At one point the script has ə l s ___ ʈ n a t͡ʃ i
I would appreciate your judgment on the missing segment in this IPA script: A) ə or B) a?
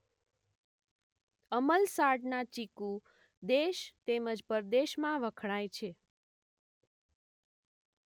B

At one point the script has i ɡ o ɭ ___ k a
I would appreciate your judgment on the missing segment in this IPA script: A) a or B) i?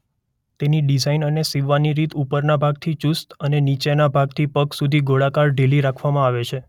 A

